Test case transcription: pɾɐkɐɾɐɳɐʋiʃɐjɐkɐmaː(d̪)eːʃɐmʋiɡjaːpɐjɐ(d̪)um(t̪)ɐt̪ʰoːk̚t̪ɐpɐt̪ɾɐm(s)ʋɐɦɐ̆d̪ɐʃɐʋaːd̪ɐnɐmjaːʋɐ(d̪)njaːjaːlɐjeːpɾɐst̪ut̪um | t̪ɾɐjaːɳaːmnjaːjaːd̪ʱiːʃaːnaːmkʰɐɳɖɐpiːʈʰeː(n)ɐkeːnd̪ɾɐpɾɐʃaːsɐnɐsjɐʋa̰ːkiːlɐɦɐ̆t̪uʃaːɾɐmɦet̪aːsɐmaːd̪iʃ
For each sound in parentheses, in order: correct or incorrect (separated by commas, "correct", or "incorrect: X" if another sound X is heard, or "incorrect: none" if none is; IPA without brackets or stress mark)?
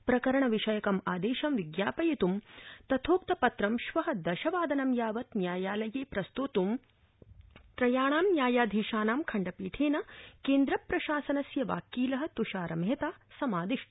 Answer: correct, incorrect: t̪, correct, incorrect: ʃ, incorrect: t̪, correct